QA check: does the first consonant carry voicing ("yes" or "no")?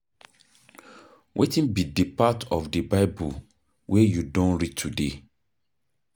yes